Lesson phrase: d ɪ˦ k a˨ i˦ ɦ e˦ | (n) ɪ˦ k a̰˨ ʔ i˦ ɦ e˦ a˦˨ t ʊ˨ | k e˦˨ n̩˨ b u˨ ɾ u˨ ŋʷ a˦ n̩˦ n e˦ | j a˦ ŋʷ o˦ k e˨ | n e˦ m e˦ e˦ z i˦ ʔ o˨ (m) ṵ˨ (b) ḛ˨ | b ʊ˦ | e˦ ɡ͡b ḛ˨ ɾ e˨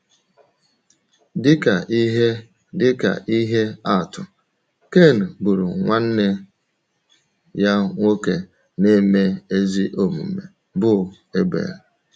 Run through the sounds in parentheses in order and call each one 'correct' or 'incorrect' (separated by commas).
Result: incorrect, correct, incorrect